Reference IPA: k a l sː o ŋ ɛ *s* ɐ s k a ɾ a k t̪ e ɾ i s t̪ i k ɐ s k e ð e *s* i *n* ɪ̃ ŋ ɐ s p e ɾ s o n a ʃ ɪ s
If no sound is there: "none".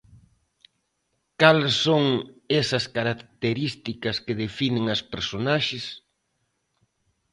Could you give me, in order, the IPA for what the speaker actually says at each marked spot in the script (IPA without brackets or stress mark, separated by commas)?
s, f, n